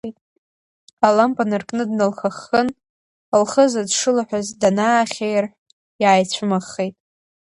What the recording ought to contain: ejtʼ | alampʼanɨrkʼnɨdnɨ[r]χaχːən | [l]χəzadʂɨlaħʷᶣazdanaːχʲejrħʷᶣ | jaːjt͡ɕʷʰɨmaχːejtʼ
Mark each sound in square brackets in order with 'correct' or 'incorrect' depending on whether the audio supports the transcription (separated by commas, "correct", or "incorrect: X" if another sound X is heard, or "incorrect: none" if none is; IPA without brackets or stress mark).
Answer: incorrect: l, correct